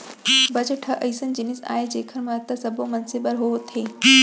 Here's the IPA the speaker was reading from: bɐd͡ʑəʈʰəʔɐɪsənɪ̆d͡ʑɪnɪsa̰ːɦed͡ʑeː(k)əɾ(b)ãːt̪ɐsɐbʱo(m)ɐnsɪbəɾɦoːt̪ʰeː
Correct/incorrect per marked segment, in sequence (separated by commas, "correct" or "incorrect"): incorrect, incorrect, correct